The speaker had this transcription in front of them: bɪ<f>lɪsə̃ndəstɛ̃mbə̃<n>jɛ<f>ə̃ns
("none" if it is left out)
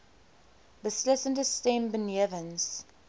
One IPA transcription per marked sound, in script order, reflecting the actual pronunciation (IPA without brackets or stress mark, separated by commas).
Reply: s, n, v